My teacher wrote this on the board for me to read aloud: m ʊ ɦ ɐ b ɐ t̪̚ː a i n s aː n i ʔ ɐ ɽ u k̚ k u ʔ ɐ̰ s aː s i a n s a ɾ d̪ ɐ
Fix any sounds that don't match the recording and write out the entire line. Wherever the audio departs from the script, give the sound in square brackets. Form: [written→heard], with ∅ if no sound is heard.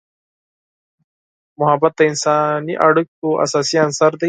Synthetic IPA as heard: m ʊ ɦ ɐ b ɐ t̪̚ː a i n s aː n i ʔ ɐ ɽ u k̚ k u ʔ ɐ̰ s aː s i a n s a ɾ d̪ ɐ

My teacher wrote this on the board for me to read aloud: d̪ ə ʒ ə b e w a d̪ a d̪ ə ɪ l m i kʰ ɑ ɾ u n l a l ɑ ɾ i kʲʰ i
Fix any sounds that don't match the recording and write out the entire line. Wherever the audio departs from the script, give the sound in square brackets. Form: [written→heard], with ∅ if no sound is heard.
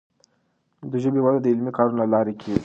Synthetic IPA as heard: d̪ ə ʒ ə b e w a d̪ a d̪ ə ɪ l m i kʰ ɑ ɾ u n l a l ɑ ɾ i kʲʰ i

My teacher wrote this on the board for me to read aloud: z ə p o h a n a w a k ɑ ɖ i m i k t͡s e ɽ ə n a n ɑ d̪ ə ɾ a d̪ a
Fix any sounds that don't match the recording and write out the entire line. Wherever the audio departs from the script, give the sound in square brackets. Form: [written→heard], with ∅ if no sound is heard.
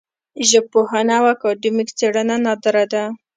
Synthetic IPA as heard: [z→ʒ] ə p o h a n a w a k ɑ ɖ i m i k t͡s e ɽ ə n a n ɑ d̪ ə ɾ a d̪ a

